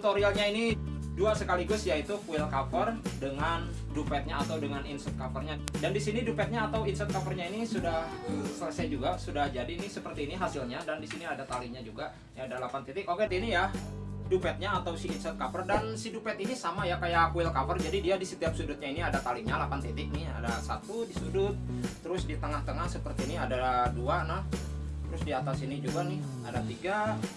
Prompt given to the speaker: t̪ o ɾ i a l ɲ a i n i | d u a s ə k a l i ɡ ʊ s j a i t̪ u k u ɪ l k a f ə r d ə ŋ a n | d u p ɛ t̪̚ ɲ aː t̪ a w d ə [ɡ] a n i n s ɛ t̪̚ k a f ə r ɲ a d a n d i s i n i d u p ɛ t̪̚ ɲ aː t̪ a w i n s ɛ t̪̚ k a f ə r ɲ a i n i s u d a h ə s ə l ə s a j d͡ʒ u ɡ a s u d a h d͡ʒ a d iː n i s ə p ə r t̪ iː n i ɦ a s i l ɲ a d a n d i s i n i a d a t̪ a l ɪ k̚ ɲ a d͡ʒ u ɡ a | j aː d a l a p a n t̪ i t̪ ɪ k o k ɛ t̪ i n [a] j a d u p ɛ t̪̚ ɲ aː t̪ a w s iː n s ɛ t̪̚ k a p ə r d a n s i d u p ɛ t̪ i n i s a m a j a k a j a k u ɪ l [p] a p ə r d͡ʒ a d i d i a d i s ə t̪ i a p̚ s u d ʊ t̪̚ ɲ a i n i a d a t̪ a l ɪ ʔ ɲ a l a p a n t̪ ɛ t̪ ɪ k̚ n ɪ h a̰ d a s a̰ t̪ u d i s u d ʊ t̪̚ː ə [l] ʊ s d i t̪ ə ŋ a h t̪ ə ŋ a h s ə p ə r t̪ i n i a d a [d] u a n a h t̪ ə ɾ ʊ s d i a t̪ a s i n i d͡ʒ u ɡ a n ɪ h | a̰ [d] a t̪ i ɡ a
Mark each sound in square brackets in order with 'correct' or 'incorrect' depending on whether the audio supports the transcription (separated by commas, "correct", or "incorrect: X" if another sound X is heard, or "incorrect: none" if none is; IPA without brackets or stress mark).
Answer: incorrect: ŋ, incorrect: i, incorrect: k, incorrect: ɾ, correct, correct